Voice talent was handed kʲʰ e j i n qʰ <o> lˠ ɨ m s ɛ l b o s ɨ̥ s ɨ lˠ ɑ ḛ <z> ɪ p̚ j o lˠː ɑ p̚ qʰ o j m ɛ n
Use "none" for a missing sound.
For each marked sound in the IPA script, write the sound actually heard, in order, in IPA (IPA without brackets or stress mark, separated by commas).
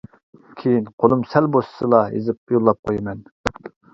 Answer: o, z